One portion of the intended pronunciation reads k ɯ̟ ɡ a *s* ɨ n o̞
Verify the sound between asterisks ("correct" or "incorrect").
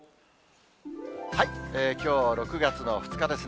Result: incorrect